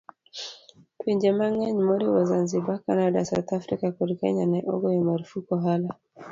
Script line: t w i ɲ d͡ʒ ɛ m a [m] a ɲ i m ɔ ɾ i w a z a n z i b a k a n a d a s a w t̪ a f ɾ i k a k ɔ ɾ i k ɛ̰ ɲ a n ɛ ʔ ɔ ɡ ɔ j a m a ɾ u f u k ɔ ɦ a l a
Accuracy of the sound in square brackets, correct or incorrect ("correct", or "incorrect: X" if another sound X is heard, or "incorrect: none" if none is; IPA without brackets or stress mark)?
incorrect: ŋ